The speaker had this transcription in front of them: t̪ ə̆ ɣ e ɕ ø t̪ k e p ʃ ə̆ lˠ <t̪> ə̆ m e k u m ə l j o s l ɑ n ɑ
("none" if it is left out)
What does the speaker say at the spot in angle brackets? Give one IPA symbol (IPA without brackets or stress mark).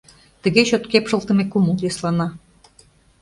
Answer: t̪